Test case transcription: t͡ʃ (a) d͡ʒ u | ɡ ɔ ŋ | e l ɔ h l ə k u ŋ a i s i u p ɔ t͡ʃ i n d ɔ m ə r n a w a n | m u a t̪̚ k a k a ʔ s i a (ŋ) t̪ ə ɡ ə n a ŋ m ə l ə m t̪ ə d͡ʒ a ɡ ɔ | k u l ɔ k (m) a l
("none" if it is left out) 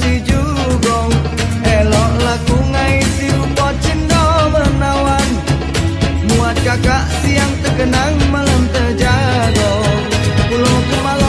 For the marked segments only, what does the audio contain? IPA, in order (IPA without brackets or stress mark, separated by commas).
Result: i, ŋ, m